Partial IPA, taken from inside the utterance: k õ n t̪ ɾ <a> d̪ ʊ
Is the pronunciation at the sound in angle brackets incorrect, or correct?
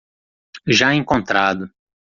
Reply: correct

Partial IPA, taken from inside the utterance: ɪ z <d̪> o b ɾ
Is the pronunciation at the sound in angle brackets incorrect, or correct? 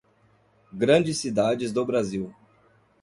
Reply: correct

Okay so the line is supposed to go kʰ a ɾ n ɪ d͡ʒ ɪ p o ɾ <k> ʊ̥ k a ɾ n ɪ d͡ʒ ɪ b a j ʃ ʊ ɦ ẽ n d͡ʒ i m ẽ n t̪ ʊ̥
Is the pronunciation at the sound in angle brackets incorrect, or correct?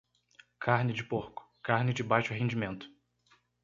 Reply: correct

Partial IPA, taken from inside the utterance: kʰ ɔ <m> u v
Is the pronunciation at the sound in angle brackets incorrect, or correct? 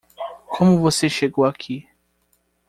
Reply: correct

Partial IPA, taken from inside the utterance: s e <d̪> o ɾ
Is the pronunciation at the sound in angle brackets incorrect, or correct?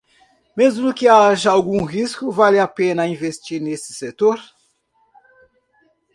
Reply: incorrect: t̪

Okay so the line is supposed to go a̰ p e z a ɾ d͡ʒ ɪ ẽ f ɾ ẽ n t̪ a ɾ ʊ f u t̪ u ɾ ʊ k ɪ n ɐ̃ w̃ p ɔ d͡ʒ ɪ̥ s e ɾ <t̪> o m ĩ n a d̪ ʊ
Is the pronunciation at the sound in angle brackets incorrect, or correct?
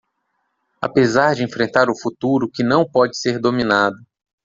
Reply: incorrect: d̪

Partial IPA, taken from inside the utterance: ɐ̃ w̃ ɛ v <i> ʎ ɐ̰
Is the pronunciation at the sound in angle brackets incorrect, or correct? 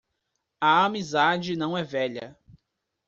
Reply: incorrect: ɛ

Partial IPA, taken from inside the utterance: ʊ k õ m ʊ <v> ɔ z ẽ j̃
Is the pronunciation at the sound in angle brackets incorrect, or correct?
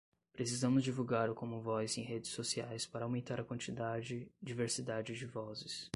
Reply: correct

